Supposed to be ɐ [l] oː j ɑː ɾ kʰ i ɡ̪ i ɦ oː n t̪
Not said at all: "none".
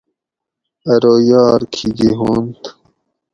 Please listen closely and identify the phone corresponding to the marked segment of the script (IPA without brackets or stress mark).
ɾ